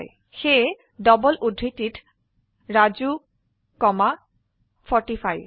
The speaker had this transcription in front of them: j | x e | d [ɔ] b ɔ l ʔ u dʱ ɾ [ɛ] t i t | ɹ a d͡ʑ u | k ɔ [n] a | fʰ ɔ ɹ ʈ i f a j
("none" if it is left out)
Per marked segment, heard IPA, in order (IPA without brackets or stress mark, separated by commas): ɔ, i, m